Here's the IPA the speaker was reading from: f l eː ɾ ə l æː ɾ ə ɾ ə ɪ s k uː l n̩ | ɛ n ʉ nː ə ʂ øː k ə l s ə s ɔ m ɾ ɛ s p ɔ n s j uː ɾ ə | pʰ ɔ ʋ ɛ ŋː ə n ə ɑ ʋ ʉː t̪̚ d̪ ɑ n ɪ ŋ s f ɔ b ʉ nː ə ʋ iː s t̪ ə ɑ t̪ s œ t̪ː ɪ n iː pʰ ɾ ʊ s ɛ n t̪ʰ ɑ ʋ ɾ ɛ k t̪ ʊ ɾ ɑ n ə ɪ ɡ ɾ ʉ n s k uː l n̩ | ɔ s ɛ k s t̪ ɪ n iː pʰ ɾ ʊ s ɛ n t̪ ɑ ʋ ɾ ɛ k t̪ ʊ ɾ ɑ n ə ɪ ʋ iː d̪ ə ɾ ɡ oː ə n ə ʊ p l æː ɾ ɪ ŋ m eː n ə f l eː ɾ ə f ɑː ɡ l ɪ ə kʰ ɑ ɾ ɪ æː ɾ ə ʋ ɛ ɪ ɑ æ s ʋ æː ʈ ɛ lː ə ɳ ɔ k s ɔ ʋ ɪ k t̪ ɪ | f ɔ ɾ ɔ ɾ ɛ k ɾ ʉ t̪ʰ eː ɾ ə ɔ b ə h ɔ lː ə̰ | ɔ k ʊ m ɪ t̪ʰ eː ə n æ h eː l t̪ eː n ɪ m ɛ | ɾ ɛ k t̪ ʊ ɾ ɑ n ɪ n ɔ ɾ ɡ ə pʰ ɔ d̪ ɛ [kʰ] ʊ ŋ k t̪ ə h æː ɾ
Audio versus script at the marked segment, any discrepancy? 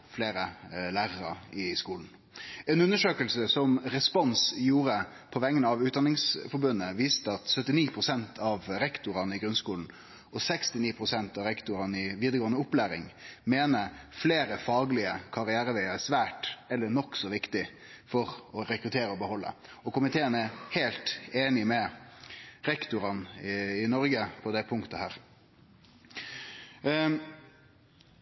yes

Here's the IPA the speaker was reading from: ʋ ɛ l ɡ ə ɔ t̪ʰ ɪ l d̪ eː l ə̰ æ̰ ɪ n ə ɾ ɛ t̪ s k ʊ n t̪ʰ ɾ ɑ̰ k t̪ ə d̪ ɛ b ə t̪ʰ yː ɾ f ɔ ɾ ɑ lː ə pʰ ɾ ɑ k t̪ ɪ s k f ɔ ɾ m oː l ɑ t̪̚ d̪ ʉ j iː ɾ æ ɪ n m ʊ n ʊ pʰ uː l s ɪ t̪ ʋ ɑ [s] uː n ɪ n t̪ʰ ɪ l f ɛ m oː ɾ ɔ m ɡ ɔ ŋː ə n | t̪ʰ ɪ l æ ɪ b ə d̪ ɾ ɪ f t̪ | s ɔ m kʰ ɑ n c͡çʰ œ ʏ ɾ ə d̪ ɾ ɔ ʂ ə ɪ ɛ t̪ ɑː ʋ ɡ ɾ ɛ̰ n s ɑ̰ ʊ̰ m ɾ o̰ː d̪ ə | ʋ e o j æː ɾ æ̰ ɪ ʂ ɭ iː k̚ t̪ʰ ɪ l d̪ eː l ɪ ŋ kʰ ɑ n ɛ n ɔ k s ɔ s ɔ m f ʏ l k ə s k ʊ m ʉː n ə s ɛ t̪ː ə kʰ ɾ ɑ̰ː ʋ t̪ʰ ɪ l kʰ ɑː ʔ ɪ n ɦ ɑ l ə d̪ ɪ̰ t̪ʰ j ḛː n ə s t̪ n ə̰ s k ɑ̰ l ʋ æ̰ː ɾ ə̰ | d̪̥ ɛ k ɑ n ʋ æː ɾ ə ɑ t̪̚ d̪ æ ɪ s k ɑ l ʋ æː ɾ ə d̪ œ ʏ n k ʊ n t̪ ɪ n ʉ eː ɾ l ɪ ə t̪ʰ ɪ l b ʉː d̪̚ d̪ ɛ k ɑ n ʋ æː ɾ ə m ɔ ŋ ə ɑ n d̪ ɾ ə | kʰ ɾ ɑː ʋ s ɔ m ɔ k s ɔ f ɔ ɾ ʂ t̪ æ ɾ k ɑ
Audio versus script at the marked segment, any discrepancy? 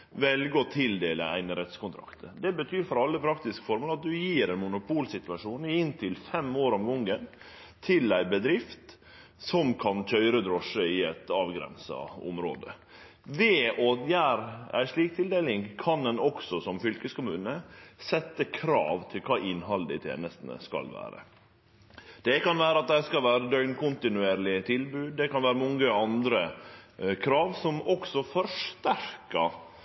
yes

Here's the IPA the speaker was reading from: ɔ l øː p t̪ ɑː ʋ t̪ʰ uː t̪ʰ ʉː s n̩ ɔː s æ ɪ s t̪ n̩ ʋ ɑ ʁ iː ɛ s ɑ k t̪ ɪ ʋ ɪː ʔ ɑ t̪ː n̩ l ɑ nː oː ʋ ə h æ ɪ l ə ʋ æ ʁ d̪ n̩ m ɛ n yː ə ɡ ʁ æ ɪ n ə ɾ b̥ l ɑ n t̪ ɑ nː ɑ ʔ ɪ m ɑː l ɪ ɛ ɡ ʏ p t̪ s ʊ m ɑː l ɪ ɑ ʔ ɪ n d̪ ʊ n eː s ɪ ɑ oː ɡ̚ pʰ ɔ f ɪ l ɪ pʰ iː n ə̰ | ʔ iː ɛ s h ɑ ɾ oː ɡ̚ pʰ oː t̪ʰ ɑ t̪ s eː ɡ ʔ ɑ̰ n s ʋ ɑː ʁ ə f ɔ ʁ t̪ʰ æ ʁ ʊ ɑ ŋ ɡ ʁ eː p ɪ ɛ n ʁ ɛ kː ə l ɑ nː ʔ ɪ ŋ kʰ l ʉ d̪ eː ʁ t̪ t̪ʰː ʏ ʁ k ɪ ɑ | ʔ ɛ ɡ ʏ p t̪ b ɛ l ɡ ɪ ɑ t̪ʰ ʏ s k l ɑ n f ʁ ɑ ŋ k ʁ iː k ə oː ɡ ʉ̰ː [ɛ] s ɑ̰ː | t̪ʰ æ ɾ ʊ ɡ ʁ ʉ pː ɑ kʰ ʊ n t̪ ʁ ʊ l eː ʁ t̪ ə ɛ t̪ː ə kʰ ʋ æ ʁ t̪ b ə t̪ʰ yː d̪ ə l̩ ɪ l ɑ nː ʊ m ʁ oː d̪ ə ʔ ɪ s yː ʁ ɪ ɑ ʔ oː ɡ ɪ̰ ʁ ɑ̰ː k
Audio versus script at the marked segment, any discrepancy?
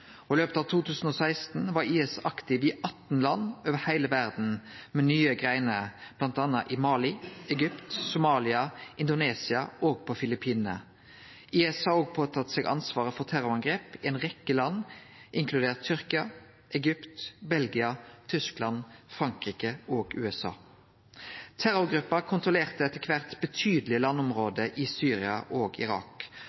no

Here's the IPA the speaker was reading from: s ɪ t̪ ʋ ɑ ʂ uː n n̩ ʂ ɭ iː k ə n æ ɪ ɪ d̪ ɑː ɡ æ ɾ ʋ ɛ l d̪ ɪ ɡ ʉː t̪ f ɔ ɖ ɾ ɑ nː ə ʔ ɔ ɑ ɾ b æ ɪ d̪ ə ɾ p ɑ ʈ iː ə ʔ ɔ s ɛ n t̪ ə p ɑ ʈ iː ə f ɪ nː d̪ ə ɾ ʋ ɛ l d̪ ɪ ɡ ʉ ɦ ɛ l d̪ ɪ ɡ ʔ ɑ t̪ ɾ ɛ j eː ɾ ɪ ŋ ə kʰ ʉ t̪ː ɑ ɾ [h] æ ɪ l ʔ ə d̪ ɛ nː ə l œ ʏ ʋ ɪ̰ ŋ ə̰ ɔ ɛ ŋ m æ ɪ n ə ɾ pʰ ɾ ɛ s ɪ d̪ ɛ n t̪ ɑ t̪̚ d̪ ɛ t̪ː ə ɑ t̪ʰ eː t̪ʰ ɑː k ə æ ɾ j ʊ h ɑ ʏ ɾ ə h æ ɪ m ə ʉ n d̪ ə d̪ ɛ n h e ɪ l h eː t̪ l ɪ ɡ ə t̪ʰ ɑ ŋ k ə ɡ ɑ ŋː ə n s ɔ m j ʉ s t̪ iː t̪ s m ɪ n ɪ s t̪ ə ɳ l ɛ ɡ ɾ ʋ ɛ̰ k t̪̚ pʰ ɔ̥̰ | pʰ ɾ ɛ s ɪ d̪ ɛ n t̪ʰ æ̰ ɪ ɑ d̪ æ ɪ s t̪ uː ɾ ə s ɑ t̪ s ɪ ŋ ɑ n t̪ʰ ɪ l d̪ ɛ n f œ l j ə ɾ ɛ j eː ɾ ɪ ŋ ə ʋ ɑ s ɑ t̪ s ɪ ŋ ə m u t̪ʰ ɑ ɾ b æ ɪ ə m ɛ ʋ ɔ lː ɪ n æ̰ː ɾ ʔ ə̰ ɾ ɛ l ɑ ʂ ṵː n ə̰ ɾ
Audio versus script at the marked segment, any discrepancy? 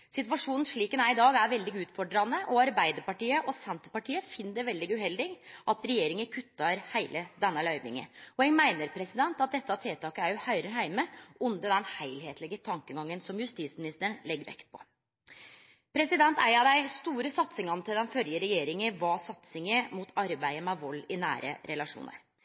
no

